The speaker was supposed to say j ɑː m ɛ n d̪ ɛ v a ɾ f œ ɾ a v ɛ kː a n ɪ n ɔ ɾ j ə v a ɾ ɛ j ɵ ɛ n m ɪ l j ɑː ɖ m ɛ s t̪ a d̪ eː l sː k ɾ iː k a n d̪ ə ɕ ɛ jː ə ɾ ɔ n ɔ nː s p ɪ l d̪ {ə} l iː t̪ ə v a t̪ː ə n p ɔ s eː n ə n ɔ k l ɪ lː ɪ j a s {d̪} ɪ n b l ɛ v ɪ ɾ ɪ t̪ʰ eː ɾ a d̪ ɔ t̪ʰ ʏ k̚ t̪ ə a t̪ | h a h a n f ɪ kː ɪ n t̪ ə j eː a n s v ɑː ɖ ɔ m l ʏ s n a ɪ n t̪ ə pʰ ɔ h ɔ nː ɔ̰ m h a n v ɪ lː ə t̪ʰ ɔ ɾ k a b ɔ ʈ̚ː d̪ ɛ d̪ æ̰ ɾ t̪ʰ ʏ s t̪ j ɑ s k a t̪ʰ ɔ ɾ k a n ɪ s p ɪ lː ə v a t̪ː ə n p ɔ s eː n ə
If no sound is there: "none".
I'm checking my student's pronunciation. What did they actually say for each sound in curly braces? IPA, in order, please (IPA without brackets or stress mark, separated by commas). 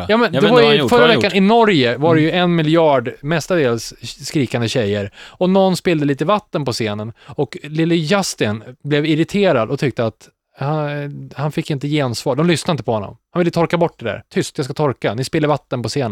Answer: ə, t̪